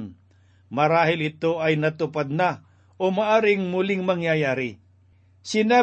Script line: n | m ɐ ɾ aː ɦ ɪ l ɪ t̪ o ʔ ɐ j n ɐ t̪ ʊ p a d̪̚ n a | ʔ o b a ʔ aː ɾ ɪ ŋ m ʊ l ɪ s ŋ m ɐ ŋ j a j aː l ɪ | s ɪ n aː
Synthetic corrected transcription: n | m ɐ ɾ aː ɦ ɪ l ɪ t̪ o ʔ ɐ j n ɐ t̪ ʊ p a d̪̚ n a | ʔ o m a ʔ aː ɾ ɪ ŋ m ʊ l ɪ ŋ m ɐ ŋ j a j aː ɾ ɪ | s ɪ n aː